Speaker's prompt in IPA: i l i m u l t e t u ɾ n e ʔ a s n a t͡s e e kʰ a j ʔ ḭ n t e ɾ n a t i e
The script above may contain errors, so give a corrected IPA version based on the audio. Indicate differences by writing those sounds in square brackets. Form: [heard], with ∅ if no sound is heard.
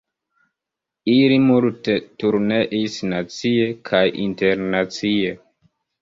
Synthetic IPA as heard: i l i m u l t e t u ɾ n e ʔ [i] s n a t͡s [i] e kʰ a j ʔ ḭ n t e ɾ n a [t͡s] i e